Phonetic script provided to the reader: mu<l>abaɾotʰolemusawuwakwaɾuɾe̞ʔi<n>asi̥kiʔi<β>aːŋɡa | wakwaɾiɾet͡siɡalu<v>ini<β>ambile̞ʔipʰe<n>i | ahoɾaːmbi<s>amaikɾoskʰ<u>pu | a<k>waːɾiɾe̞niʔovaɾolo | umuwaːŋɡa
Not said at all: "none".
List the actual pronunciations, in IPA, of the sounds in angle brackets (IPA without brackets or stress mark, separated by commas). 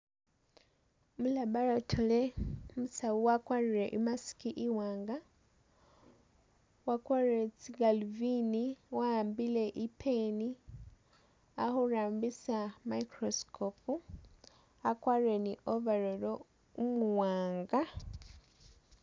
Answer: l, m, w, v, w, n, s, o, k